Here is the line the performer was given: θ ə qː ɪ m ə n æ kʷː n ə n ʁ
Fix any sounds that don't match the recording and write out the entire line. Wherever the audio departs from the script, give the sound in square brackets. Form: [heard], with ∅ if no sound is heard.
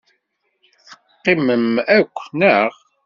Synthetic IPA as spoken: θ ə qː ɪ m ə [m] æ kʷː n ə [∅] ʁ